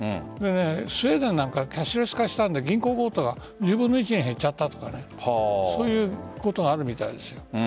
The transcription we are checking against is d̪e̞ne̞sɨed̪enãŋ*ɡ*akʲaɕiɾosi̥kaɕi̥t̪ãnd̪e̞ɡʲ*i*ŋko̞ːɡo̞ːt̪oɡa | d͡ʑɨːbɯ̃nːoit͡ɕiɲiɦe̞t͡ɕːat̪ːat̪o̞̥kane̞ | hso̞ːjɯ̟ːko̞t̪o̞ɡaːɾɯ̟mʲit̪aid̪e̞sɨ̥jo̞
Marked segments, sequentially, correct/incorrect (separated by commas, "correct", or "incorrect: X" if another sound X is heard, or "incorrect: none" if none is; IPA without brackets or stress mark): incorrect: k, incorrect: ĩ